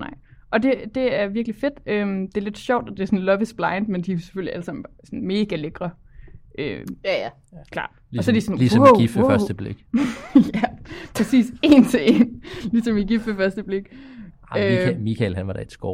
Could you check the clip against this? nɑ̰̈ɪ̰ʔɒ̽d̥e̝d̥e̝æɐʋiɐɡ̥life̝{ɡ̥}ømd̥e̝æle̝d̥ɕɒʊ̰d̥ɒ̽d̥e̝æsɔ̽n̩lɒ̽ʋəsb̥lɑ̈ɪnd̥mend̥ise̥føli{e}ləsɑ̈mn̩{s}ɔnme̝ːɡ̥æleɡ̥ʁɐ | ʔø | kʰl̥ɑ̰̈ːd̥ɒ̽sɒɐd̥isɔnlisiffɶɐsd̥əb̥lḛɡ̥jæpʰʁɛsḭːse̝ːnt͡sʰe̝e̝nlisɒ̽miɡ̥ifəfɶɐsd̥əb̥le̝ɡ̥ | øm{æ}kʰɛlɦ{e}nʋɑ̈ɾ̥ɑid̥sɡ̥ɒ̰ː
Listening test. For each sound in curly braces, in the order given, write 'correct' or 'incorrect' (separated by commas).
incorrect, incorrect, correct, incorrect, incorrect